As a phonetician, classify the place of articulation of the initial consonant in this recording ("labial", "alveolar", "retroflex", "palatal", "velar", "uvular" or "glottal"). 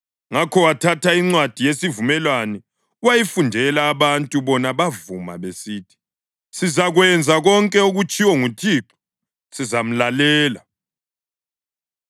velar